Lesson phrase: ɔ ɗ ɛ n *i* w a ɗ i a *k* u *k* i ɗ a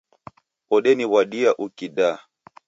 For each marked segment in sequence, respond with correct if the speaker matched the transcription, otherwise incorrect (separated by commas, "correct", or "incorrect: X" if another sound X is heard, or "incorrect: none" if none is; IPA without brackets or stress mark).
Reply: correct, incorrect: ʔ, correct